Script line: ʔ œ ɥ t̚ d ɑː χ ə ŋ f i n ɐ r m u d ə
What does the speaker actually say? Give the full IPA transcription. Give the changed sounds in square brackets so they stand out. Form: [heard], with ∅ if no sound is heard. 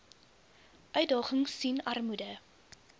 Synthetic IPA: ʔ œ ɥ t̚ d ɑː χ ə ŋ [s] i n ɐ r m u d ə